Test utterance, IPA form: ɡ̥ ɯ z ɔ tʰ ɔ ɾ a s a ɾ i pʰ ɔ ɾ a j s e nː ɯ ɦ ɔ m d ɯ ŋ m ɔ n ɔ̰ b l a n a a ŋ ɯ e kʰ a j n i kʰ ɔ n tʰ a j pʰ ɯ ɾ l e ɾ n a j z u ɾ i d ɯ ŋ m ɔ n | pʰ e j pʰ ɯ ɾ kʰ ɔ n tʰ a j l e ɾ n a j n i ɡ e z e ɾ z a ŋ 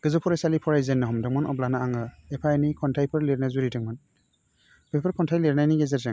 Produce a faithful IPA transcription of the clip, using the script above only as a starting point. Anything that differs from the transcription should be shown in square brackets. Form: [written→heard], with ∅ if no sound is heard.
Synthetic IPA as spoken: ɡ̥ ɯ z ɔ [tʰ→pʰ] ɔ ɾ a s a [ɾ→l] i pʰ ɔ ɾ a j [s→z] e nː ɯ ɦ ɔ m d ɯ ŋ m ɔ n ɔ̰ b l a n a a ŋ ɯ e [kʰ→pʰ] a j n i kʰ ɔ n tʰ a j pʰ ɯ ɾ l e ɾ n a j z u ɾ i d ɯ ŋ m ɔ n | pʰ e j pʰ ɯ ɾ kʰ ɔ n tʰ a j l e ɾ n a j n i ɡ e z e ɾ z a ŋ